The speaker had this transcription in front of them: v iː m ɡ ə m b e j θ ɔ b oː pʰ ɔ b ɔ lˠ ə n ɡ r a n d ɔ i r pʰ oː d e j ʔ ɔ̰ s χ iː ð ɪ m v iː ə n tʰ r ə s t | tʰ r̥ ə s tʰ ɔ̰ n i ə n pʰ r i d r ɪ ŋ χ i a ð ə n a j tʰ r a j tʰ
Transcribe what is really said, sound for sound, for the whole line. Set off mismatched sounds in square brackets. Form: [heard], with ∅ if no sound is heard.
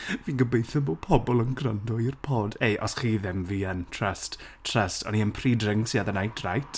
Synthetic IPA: v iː [n] ɡ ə [∅] b e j θ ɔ b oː pʰ ɔ b ɔ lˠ ə n ɡ r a n d ɔ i r pʰ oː d e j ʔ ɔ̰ s χ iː ð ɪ m v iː ə n tʰ r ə s t | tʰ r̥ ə s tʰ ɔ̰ n i ə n pʰ r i d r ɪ ŋ [s] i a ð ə n a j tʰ r a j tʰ